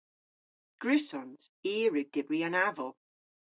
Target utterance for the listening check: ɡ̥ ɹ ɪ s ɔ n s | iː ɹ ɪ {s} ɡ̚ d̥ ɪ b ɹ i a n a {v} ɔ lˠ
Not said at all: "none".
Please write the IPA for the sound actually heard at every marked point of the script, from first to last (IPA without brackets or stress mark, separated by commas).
none, v